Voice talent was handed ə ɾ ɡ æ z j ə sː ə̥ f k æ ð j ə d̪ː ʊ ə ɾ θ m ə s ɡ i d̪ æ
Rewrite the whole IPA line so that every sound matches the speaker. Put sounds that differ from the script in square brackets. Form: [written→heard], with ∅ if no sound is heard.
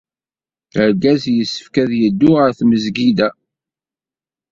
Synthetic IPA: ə ɾ ɡ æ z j ə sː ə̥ f k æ ð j ə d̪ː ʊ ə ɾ θ m ə [s→z] ɡ i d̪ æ